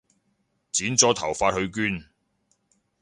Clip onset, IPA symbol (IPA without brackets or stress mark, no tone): t͡s